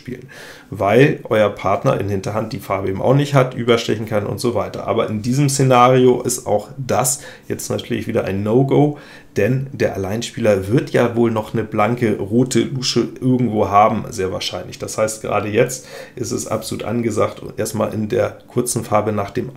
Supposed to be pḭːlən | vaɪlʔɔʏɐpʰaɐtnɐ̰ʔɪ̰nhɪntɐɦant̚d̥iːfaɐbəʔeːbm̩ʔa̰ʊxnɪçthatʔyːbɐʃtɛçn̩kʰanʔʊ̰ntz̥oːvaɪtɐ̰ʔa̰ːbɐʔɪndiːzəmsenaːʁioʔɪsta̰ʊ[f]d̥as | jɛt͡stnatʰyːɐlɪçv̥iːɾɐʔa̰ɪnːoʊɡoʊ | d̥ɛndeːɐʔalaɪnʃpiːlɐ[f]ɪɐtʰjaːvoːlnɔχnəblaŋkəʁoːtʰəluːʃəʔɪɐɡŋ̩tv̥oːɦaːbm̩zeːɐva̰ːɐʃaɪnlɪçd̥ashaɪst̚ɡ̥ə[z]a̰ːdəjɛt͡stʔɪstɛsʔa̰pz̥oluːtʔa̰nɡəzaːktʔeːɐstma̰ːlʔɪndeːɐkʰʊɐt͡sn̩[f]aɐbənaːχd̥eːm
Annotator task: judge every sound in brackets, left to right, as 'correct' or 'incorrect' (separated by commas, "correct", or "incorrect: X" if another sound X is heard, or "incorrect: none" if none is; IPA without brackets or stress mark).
incorrect: x, incorrect: v, incorrect: ʁ, correct